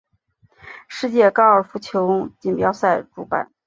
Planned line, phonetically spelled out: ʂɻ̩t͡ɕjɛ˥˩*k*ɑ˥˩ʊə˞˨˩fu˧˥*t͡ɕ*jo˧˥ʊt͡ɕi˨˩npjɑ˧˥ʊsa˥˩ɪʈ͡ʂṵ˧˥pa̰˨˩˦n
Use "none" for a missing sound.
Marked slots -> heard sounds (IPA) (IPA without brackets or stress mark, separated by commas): k, t͡ɕʰ